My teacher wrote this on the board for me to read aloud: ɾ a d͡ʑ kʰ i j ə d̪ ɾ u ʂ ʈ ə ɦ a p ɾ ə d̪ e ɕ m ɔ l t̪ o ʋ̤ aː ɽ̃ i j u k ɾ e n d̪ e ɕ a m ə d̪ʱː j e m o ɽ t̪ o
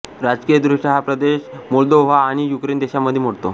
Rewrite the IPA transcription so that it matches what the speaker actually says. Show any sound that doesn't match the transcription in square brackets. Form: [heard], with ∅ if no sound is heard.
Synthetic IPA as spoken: ɾ a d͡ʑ [k] i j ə d̪ ɾ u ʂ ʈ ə ɦ a p ɾ ə d̪ e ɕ m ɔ l [d̪] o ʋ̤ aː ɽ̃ i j u k ɾ e n d̪ e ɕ a m ə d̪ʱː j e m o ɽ t̪ o